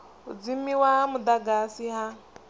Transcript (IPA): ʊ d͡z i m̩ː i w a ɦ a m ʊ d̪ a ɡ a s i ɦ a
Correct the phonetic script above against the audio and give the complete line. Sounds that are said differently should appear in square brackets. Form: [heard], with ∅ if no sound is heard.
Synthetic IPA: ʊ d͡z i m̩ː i w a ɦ a m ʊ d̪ a ɡ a s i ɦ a